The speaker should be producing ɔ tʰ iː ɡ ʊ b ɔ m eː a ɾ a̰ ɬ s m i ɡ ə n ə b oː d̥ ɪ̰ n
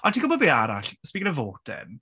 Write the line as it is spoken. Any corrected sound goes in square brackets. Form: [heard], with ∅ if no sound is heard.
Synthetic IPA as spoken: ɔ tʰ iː ɡ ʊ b ɔ [b] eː a ɾ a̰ ɬ s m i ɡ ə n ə [v] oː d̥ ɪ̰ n